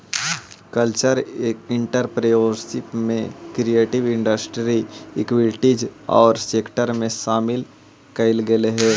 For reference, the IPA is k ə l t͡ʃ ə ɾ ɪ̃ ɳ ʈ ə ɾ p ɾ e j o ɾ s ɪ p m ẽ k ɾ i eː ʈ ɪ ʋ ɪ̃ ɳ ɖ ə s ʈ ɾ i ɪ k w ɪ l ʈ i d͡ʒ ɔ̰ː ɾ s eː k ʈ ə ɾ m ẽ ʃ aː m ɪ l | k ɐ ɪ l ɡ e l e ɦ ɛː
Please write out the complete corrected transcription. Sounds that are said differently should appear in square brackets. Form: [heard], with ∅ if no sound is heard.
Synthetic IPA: k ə l t͡ʃ ə ɾ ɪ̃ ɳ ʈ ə ɾ p ɾ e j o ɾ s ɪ p m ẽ k ɾ i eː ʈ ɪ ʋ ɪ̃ ɳ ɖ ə s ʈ ɾ i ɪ k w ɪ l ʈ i d͡ʒ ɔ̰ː ɾ s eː k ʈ ə ɾ m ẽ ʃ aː m ɪ l | k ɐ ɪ l ɡ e l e ɦ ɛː